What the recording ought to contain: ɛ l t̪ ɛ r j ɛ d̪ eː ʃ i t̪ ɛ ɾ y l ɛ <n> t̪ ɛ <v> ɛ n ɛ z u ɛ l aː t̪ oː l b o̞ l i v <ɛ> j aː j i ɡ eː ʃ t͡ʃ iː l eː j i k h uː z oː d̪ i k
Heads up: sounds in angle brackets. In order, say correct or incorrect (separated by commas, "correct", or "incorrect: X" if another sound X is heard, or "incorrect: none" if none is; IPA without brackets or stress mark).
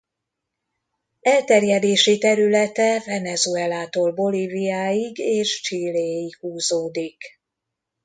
incorrect: none, correct, incorrect: i